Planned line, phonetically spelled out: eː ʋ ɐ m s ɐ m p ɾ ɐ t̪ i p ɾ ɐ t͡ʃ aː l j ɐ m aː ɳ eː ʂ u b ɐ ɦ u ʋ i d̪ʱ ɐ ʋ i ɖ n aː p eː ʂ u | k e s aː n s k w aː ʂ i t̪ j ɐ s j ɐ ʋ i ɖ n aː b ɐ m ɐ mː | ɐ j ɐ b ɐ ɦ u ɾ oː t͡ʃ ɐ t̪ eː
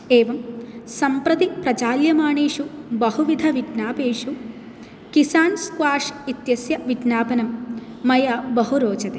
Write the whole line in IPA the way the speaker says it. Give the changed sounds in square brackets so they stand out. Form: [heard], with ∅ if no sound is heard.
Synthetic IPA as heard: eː ʋ ɐ m s ɐ m p ɾ ɐ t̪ i p ɾ ɐ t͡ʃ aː l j ɐ m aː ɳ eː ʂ u b ɐ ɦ u ʋ i d̪ʱ ɐ ʋ i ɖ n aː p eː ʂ u | k [i] s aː n s k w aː ʂ i t̪ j ɐ s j ɐ ʋ i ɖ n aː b ɐ [n] ɐ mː | ɐ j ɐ b ɐ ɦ u ɾ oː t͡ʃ ɐ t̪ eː